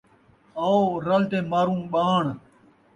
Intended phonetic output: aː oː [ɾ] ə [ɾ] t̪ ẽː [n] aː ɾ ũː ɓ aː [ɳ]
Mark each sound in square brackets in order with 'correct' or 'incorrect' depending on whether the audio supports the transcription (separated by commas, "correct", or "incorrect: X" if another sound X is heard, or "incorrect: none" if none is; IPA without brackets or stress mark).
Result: correct, incorrect: l, incorrect: m, correct